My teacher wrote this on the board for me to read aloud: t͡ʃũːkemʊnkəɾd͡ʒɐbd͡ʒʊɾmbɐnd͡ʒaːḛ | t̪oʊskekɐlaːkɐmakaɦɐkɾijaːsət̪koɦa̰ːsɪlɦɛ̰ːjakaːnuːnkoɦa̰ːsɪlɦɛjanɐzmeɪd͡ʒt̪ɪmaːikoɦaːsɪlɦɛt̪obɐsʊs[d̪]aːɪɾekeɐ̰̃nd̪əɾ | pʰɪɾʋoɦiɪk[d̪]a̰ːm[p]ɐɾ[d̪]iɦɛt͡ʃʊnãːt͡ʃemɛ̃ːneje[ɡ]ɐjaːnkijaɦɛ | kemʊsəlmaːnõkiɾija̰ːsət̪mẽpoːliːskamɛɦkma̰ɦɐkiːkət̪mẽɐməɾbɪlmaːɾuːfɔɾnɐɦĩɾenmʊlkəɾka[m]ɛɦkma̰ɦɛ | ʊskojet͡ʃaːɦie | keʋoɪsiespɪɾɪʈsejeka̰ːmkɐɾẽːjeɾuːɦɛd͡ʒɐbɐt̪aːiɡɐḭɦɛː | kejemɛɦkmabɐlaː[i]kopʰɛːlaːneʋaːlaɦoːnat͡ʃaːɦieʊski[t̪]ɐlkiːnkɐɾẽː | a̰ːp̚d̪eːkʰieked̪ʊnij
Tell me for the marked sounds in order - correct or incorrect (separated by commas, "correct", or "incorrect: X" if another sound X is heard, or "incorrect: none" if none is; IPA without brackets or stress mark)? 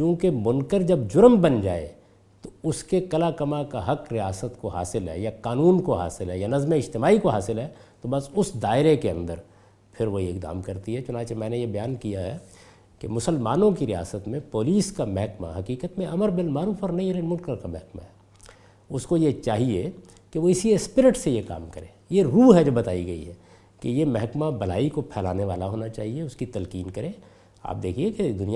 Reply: correct, correct, incorrect: k, incorrect: t̪, incorrect: b, correct, correct, correct